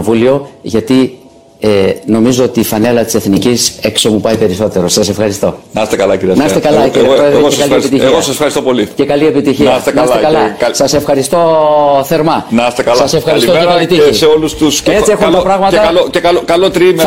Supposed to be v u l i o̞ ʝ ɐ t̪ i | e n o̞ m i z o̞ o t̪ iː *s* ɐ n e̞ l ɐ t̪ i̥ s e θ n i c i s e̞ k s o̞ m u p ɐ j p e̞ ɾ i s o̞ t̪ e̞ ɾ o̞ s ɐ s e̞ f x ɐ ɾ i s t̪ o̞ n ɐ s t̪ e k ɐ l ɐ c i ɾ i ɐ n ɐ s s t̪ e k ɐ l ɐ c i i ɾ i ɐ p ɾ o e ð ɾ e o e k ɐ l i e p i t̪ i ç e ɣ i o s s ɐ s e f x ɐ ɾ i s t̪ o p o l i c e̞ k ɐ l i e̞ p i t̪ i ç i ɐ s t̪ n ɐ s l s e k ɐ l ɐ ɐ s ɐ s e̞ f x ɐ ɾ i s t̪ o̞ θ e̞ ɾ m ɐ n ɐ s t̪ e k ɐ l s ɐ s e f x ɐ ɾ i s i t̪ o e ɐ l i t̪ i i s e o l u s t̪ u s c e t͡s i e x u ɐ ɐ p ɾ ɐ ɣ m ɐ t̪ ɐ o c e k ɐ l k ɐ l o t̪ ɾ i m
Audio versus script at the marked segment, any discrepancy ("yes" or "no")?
yes